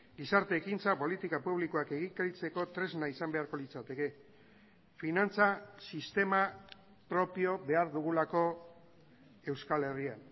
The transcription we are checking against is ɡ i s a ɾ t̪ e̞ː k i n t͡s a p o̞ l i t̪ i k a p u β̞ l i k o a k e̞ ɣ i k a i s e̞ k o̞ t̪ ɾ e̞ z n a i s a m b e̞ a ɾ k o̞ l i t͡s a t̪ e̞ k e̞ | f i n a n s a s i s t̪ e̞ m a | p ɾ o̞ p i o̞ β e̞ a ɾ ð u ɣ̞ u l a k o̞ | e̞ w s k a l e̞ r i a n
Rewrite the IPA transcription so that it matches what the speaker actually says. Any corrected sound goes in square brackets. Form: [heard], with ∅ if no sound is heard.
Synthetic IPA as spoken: ɡ i s a ɾ t̪ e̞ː k i n t͡s a p o̞ l i t̪ i k a p u β̞ l i k o a k e̞ ɣ i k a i [t͡s] e̞ k o̞ t̪ ɾ e̞ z n a i s a m b e̞ a ɾ k o̞ l i t͡s a t̪ e̞ k e̞ | f i n a n [t͡s] a s i s t̪ e̞ m a | p ɾ o̞ p i o̞ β e̞ a ɾ ð u ɣ̞ u l a k o̞ | e̞ w s k a l e̞ r i a n